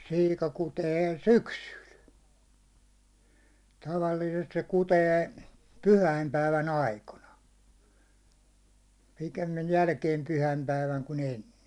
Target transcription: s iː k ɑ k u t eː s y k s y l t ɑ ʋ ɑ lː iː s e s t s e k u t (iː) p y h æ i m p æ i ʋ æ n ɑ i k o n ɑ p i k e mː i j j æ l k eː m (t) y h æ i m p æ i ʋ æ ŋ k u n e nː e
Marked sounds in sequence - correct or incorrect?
incorrect: eː, incorrect: p

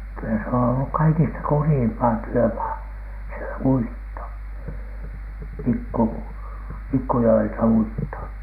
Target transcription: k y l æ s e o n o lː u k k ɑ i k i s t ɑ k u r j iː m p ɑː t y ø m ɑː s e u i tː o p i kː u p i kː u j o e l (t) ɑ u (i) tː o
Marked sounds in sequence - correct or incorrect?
correct, correct

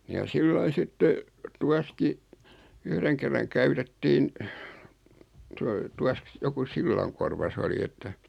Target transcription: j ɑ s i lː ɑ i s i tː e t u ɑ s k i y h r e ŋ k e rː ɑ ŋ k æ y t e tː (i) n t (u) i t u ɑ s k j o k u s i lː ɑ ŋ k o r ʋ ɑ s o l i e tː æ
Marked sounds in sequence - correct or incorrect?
incorrect: iː, incorrect: o

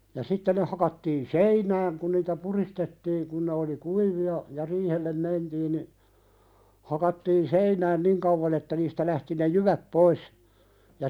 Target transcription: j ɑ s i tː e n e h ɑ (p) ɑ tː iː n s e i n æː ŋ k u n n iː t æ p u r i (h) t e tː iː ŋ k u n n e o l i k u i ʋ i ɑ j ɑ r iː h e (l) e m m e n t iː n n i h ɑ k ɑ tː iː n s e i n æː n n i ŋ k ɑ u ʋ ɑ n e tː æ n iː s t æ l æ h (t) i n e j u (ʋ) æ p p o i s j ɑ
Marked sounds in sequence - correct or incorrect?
incorrect: k, incorrect: s, incorrect: lː, correct, correct

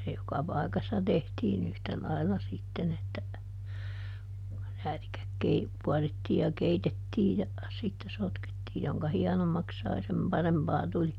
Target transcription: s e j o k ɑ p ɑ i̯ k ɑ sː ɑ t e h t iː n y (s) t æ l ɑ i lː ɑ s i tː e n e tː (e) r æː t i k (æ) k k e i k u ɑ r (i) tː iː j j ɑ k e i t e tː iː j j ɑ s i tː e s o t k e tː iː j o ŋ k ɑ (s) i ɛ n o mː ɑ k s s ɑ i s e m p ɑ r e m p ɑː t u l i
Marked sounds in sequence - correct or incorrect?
incorrect: h, incorrect: æ, correct, correct, incorrect: h

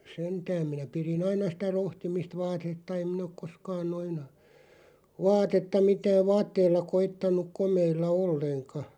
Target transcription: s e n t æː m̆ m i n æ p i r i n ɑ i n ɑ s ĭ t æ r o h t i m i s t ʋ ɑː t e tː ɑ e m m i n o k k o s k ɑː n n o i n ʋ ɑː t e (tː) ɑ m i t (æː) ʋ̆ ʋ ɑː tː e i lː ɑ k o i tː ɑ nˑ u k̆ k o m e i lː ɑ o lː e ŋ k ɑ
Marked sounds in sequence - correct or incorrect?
correct, correct

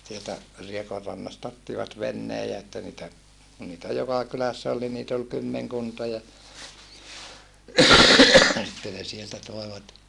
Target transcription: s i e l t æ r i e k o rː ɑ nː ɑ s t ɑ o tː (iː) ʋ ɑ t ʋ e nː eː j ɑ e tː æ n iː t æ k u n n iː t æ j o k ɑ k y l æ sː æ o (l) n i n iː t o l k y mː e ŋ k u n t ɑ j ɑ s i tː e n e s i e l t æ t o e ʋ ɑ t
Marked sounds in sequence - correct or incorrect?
incorrect: i, correct

